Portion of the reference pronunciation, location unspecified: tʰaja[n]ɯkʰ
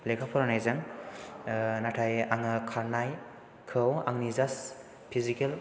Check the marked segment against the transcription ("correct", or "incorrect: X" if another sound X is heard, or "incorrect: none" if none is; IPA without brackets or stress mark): incorrect: ŋ